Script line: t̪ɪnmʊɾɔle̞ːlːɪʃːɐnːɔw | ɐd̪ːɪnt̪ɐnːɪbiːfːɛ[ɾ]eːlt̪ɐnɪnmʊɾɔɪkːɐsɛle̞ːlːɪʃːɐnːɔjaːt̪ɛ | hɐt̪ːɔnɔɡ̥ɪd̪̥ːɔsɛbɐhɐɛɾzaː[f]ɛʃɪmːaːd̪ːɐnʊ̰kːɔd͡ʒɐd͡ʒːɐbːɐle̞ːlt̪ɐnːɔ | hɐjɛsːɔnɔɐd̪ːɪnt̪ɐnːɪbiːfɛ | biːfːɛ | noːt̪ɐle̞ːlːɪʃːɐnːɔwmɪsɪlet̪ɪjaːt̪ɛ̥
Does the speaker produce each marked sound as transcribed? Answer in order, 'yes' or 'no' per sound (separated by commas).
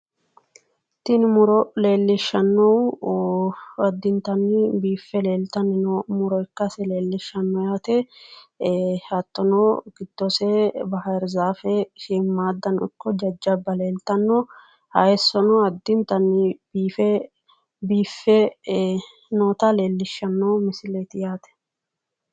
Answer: no, yes